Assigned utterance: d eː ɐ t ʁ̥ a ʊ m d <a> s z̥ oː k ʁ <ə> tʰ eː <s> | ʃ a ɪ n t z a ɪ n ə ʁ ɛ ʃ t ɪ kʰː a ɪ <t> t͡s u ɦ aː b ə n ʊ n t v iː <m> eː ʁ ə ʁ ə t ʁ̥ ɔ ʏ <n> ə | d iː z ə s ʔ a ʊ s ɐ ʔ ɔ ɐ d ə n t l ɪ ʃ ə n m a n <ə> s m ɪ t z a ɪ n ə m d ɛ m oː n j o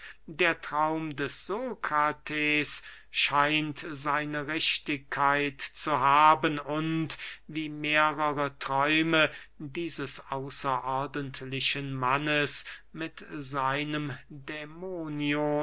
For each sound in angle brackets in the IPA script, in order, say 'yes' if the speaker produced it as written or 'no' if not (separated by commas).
no, no, yes, yes, yes, no, yes